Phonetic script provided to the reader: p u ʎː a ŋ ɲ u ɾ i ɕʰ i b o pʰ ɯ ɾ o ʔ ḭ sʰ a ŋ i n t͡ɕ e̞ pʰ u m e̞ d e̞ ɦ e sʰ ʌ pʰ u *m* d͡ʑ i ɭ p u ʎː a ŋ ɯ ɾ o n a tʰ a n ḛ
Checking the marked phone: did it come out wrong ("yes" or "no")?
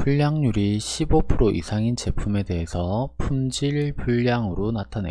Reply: no